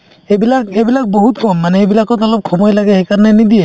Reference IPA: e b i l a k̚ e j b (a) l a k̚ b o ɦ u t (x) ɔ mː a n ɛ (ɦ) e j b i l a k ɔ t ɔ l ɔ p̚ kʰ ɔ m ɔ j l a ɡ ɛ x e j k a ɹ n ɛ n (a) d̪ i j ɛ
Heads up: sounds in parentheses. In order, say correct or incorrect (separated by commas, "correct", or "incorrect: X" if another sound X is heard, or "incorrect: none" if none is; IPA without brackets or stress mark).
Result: incorrect: i, incorrect: k, incorrect: none, incorrect: i